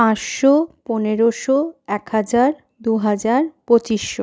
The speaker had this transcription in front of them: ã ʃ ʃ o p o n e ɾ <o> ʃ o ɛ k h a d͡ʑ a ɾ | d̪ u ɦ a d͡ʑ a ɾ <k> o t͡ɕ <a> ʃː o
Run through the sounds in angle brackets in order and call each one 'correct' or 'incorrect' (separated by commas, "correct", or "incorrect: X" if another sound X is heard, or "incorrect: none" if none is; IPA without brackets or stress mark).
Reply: correct, incorrect: p, incorrect: i